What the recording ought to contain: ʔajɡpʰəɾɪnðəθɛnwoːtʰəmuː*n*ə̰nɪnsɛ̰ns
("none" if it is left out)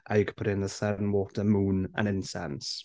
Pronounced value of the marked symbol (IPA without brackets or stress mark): n